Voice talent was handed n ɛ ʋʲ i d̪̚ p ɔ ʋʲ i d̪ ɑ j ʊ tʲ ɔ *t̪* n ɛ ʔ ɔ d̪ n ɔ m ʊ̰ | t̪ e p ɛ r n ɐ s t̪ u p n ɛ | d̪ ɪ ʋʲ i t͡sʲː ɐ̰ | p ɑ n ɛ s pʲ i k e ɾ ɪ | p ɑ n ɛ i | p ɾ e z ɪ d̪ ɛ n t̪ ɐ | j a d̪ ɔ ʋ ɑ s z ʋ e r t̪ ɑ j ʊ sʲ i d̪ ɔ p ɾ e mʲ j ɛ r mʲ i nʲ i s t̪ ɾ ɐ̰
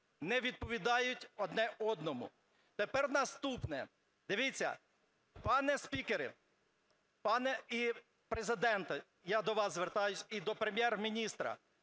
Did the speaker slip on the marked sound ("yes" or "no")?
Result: yes